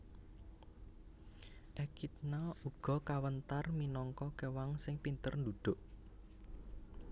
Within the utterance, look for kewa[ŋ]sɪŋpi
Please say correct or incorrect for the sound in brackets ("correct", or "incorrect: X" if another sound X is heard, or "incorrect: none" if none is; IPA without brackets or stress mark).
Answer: correct